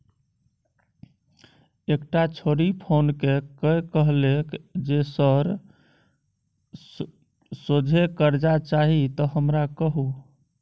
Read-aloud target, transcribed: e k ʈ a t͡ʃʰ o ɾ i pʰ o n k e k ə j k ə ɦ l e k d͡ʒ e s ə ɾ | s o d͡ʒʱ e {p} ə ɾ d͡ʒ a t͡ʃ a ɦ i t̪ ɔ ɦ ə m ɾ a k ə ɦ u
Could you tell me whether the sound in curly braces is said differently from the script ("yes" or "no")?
yes